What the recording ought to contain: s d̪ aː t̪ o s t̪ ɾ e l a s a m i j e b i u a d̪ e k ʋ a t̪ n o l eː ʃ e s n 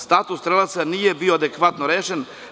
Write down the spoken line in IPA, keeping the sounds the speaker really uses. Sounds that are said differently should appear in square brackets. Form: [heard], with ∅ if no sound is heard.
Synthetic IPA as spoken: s [t̪] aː t̪ [u] s t̪ ɾ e l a s a [n] i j e b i [o] a d̪ e k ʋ a t̪ n o [ɾ] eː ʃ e [∅] n